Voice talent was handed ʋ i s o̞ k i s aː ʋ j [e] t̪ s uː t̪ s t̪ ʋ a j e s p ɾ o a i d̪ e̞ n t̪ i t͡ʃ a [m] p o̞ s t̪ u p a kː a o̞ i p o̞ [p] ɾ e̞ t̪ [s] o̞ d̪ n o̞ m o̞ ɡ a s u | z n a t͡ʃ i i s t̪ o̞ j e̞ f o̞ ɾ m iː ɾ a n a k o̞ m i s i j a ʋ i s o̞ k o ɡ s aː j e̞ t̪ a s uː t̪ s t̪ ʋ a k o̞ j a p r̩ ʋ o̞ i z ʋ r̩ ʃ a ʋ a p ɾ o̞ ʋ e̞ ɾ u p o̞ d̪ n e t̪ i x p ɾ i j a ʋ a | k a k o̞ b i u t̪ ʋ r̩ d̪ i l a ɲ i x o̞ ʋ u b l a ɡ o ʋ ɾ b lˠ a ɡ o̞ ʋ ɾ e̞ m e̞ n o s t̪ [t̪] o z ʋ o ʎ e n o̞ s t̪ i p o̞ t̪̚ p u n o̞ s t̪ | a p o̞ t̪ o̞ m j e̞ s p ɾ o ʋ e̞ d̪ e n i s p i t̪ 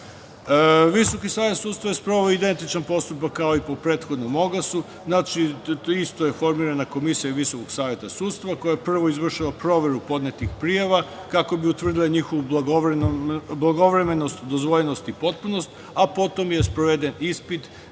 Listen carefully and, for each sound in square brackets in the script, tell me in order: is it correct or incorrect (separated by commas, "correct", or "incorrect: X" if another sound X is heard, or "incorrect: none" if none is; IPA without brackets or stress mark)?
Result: correct, incorrect: n, correct, incorrect: x, incorrect: d̪